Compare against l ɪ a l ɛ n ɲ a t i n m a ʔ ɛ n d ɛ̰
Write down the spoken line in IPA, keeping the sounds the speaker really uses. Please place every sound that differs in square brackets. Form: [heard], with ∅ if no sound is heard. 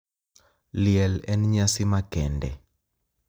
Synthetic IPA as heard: l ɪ [ɛ] l ɛ n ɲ a [s] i [∅] m a [k] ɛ n d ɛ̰